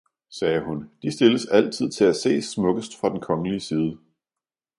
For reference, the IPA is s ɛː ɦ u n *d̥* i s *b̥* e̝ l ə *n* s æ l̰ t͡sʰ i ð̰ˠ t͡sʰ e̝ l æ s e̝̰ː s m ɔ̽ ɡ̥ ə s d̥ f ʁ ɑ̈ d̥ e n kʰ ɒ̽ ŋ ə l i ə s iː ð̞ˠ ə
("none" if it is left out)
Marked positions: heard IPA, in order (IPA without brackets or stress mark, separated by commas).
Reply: d̥, d̥, none